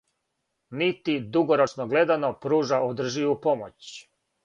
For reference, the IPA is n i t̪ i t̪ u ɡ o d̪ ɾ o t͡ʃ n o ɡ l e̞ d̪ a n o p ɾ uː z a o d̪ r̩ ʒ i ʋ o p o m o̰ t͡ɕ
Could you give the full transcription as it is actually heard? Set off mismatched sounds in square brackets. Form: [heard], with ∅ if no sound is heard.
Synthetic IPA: n i t̪ i [d̪] u ɡ o [∅] ɾ o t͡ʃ n o ɡ l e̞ d̪ a n o p ɾ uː [ʒ] a o d̪ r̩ ʒ i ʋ [u] p o m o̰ t͡ɕ